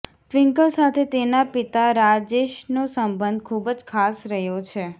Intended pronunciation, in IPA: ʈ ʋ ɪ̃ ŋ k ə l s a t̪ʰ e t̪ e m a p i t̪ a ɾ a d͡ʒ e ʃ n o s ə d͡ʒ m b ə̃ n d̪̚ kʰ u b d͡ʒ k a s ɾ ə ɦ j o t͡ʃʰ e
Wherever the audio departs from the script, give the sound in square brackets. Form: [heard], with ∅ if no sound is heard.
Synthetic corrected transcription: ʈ ʋ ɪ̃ ŋ k ə l s a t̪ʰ e t̪ e [n] a p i t̪ a ɾ a d͡ʒ e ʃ n o s ə [∅] m b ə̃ n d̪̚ kʰ u b d͡ʒ [kʰ] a s ɾ ə ɦ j o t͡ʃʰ e